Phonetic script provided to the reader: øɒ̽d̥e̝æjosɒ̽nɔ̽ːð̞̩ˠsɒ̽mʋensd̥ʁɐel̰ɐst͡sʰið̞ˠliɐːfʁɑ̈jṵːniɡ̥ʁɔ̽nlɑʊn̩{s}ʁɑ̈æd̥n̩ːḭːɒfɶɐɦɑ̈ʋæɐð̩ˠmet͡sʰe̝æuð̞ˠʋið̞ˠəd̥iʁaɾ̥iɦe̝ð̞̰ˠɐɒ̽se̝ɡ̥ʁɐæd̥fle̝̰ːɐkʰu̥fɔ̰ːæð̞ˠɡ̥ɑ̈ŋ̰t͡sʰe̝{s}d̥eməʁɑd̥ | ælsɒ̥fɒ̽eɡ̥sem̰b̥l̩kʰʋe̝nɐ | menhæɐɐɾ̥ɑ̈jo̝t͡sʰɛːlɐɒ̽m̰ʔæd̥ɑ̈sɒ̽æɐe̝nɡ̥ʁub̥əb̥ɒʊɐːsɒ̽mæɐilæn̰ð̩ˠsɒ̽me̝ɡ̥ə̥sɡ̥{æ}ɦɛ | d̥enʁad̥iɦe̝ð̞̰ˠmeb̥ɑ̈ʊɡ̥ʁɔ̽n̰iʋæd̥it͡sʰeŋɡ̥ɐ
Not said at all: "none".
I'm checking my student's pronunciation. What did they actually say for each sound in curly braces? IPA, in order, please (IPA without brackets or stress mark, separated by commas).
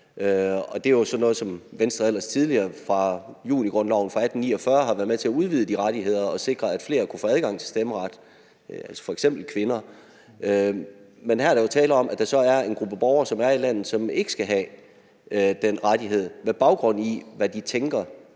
f, s, æ